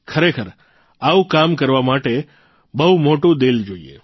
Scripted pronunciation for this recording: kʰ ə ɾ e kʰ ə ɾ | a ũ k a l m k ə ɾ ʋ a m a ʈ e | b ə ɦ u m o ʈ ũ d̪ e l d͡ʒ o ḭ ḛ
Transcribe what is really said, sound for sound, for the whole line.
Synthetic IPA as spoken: kʰ ə ɾ e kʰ ə ɾ | a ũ k a m k ə ɾ ʋ a m a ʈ e | b ə ɦ u m o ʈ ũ d̪ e l d͡ʒ o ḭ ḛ